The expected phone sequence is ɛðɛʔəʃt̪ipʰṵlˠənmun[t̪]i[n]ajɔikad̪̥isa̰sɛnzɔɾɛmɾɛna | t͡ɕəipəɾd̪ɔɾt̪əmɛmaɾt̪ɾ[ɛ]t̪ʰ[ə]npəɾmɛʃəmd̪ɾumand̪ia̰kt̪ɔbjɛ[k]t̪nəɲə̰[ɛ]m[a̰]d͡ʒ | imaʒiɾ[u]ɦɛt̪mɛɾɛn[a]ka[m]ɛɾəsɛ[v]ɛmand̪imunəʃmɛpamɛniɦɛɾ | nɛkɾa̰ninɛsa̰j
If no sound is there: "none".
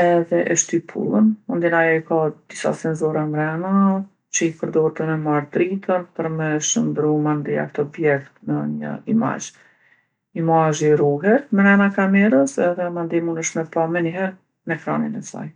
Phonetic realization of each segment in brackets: d̪, n, i, ə, k, i, a̰, u, a, m, ð

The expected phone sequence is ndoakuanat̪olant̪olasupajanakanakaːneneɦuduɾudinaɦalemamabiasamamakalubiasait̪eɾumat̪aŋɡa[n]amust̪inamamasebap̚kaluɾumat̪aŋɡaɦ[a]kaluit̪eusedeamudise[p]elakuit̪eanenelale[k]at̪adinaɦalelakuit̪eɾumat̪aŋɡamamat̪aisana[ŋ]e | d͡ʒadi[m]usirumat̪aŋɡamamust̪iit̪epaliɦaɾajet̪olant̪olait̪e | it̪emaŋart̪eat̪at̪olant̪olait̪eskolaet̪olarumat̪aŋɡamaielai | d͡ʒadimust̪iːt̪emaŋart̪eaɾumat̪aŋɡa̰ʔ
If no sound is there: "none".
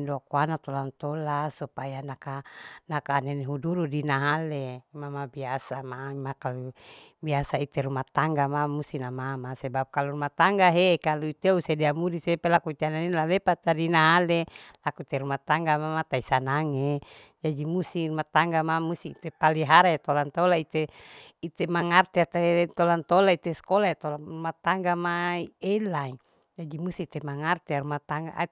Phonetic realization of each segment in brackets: m, e, p, p, ŋ, m

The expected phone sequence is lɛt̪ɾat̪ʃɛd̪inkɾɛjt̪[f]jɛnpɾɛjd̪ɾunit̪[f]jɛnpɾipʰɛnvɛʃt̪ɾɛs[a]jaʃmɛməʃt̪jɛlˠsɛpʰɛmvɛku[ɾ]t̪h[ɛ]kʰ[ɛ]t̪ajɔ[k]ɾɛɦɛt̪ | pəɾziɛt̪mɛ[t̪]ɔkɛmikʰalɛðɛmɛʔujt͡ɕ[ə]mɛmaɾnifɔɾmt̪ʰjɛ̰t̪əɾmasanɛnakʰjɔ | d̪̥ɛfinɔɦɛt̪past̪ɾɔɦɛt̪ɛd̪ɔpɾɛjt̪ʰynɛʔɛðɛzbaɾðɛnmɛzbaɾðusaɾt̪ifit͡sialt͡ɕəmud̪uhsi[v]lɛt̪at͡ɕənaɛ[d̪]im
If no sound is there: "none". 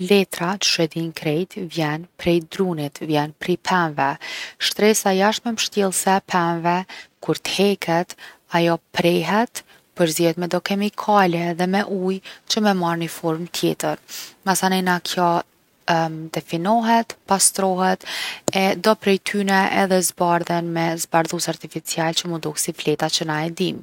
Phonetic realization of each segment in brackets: v, v, a, ɾ, ɛ, ɛ, p, d̪, ə, f, d̪

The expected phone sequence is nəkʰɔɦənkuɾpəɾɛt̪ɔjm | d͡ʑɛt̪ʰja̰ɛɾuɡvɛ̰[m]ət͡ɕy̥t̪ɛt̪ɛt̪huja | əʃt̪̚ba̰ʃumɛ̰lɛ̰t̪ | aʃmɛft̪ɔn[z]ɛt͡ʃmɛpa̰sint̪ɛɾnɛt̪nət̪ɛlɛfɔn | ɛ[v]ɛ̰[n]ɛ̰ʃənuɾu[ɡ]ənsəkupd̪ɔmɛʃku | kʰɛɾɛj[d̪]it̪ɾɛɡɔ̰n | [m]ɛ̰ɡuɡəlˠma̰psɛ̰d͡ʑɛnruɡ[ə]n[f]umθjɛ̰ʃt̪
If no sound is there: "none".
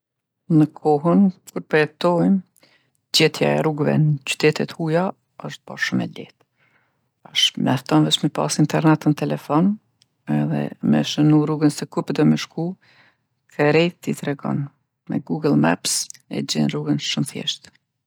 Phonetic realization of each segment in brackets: n, v, ð, m, ɡ, t̪, m, ə, ʃ

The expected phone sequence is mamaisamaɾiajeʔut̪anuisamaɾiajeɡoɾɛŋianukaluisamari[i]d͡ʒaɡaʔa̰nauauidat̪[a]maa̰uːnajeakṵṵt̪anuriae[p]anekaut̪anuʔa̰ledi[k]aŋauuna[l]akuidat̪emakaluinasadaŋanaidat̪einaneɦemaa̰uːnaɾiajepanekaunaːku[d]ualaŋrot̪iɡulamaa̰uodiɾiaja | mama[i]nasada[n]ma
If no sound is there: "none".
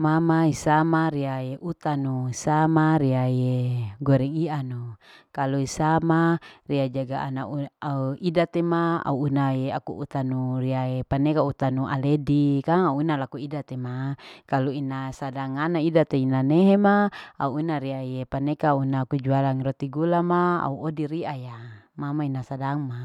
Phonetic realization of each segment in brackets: a, e, p, k, l, d͡ʒ, i, ŋ

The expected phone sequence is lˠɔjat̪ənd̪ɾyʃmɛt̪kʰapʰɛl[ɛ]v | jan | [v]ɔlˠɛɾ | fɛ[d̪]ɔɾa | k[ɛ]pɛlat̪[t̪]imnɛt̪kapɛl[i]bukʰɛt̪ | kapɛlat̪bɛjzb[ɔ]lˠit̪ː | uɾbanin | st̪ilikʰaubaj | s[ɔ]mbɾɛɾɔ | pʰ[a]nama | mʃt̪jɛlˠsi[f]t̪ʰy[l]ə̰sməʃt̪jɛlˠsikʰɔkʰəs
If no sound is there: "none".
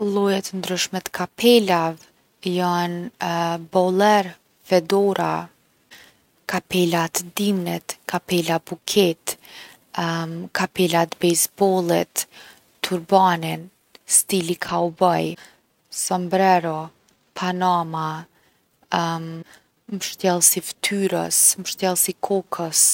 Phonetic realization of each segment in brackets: a, b, d̪, a, d̪, a, ɔ, ɔ, a, f, ɾ

